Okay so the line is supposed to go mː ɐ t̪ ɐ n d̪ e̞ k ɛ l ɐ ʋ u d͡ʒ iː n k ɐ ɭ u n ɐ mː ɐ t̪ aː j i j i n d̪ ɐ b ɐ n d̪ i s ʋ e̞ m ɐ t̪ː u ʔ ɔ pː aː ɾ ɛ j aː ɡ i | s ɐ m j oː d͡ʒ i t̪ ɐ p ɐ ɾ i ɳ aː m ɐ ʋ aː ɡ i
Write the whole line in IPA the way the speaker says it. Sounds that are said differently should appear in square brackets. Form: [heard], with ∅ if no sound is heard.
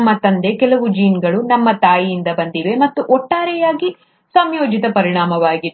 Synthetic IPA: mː ɐ t̪ ɐ n d̪ e̞ k ɛ l ɐ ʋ u d͡ʒ iː n [ɡ] ɐ ɭ u n ɐ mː ɐ t̪ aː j i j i n d̪ ɐ b ɐ n d̪ i [∅] ʋ e̞ m ɐ t̪ː u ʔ ɔ [ʈː] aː ɾ ɛ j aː ɡ i | s ɐ m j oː d͡ʒ i t̪ ɐ p ɐ ɾ i ɳ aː m ɐ ʋ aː ɡ i